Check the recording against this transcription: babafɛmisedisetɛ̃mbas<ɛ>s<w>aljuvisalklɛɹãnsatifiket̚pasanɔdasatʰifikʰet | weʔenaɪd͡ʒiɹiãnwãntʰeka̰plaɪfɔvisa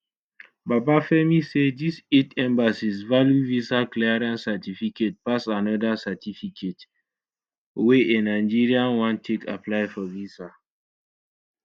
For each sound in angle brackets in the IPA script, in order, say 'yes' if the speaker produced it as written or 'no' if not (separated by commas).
no, no